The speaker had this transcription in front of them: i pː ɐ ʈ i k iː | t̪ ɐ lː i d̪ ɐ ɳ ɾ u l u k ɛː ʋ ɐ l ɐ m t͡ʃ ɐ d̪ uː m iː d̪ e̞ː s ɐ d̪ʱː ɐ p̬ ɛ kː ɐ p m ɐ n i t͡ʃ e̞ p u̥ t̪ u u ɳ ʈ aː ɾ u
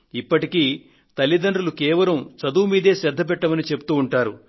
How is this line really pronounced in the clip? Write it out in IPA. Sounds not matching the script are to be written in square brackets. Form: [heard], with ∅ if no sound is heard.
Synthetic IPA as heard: i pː ɐ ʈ i k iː | t̪ ɐ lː i d̪ ɐ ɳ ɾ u l u k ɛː ʋ ɐ l ɐ m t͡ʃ ɐ d̪ uː m iː d̪ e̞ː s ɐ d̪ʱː ɐ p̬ ɛ [ʈː] ɐ [∅] m ɐ n i t͡ʃ e̞ p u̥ t̪ [uː] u ɳ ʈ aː ɾ u

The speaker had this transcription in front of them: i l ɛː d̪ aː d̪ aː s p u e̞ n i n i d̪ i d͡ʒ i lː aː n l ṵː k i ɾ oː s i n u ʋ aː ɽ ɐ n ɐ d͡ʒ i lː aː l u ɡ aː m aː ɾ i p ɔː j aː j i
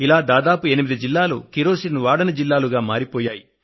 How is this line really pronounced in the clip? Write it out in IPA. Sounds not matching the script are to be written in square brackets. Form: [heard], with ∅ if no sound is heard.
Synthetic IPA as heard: i l [aː] d̪ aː d̪ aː [∅] p u e̞ n i [m] i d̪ i d͡ʒ i lː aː [∅] l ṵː k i ɾ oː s i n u ʋ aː ɽ ɐ n ɐ d͡ʒ i lː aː l u ɡ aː m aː ɾ i p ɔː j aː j i

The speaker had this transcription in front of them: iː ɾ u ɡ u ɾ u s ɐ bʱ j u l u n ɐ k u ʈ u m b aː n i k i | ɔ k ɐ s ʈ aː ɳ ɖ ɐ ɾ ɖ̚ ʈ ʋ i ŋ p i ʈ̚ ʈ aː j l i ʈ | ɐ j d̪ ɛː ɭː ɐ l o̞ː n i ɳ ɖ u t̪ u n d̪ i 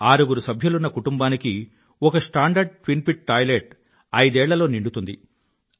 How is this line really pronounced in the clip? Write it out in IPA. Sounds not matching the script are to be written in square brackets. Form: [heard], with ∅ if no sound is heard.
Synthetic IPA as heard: [aː] ɾ u ɡ u ɾ u s ɐ bʱ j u l u [nː] ɐ k u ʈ u m b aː n i k i | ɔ k ɐ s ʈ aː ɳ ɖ ɐ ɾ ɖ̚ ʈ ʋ i [n] p i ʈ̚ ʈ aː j l [e] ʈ | ɐ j d̪ ɛː ɭː ɐ l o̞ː n i ɳ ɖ u t̪ u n d̪ i

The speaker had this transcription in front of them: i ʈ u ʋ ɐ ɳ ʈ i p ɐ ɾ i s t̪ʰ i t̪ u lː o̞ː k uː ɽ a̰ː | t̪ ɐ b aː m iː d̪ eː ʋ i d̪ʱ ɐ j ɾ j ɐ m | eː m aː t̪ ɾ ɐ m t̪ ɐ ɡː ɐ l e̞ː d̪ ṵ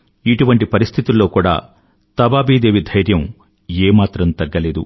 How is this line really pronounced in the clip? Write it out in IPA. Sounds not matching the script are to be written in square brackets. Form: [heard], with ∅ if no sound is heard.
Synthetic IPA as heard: i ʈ u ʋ ɐ ɳ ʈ i p ɐ ɾ i s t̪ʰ i t̪ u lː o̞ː k uː ɽ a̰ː | t̪ ɐ b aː [b] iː d̪ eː ʋ i d̪ʱ ɐ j ɾ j ɐ m | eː m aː t̪ ɾ ɐ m t̪ ɐ ɡː ɐ l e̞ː d̪ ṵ

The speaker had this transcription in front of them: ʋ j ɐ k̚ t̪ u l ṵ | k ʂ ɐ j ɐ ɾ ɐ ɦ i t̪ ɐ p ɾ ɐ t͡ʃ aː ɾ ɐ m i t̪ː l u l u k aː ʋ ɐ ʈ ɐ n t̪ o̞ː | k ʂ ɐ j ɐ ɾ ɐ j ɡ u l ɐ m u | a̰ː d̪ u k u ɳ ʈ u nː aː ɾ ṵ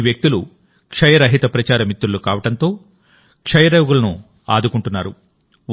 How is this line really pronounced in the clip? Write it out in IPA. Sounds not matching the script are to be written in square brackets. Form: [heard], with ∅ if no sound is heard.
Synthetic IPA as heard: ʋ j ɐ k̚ t̪ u l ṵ | k ʂ ɐ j ɐ ɾ ɐ ɦ i t̪ ɐ p ɾ ɐ t͡ʃ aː ɾ ɐ m i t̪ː [ɾ] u l u k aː ʋ ɐ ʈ ɐ n t̪ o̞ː | k ʂ ɐ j ɐ ɾ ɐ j ɡ u l ɐ [n] u | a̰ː d̪ u k u ɳ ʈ u nː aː ɾ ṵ

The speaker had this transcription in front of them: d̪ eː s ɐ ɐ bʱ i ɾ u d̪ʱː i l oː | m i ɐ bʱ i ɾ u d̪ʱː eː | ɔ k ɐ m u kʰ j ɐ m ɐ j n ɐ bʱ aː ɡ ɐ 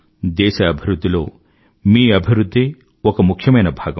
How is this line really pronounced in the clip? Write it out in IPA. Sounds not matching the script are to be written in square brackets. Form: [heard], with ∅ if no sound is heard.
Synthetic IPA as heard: d̪ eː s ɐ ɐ bʱ i ɾ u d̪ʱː i l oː | m [iː] ɐ bʱ i ɾ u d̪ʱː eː | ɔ k ɐ m u kʰ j ɐ m ɐ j n ɐ bʱ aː ɡ ɐ

